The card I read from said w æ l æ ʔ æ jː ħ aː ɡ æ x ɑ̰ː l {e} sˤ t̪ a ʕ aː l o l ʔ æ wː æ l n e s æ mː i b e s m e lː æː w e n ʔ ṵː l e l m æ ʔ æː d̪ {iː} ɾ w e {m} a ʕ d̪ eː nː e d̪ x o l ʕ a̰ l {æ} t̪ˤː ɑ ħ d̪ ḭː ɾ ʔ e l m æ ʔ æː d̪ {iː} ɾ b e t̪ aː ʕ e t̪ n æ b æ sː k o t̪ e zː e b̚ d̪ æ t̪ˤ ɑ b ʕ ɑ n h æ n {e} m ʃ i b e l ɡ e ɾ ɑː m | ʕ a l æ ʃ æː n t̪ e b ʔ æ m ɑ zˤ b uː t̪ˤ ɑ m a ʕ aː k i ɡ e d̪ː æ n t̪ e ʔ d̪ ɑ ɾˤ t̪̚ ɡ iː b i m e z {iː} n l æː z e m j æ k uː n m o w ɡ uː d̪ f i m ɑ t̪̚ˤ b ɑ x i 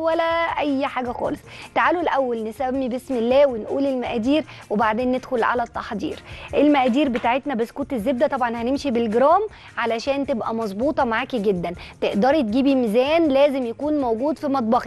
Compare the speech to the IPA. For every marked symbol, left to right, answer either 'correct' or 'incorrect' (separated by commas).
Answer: correct, correct, incorrect, correct, correct, correct, incorrect